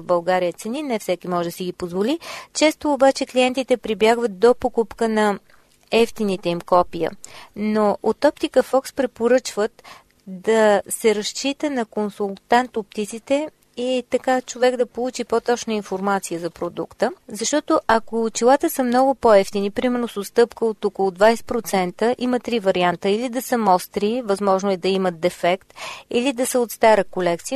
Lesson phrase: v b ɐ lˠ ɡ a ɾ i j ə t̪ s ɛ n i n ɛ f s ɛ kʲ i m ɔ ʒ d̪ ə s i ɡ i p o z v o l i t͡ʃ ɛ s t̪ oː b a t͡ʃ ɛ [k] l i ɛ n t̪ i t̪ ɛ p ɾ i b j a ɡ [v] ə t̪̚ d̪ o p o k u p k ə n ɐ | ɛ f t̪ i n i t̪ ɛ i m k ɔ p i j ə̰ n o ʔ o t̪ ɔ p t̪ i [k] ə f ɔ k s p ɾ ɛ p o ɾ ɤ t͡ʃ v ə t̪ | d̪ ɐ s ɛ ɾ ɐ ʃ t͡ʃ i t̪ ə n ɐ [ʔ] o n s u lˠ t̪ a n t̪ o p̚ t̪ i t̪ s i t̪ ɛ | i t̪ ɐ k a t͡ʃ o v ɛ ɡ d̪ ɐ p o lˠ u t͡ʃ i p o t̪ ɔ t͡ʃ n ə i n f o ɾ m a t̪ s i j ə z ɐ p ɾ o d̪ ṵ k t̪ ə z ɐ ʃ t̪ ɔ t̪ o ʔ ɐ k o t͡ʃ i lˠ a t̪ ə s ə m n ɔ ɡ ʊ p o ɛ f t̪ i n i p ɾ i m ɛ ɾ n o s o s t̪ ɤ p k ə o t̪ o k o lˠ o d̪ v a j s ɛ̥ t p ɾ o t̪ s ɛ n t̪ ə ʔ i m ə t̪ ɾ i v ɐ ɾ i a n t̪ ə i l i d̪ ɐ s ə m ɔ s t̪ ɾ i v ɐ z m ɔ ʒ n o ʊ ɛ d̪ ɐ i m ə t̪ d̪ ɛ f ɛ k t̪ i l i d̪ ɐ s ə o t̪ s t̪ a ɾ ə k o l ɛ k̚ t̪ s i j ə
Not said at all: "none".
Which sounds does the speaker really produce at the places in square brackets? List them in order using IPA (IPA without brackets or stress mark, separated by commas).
k, v, k, k